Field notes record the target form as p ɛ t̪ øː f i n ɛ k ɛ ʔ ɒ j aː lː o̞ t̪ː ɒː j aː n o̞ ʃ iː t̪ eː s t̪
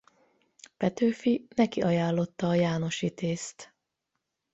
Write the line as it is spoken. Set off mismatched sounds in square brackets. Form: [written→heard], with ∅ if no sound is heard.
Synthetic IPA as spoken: p ɛ t̪ øː f i n ɛ k [ɛ→i] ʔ ɒ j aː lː o̞ t̪ː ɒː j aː n o̞ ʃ [iː→i] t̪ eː s t̪